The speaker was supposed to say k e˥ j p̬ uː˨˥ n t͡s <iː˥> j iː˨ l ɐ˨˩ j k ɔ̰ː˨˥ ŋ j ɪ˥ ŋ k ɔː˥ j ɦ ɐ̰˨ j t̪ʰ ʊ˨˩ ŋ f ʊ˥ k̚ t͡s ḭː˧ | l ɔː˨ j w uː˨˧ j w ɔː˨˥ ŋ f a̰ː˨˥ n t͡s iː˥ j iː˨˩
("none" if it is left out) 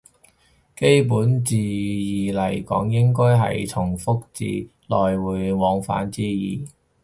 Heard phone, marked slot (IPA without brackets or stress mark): iː˨